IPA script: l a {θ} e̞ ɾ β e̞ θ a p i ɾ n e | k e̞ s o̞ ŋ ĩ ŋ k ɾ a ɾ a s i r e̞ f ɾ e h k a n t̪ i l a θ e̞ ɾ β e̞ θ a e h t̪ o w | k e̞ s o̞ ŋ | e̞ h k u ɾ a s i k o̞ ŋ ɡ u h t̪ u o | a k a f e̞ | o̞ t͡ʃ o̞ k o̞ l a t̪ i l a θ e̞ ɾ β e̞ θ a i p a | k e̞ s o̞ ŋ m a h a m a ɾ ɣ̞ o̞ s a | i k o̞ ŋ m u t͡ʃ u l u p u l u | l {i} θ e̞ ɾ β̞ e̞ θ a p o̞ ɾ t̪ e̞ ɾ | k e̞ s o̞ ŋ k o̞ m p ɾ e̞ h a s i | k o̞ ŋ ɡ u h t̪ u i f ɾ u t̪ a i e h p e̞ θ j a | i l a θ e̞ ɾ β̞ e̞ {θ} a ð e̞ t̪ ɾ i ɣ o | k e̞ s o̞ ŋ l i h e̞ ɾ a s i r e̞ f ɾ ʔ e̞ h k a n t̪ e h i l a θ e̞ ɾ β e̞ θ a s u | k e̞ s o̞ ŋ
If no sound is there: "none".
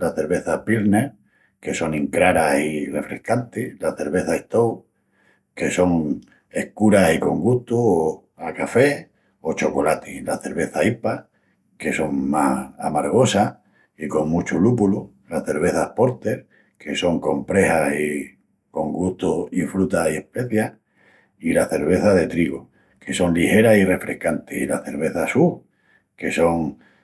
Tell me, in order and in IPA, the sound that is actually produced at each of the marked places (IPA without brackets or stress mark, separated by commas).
θ, a, θ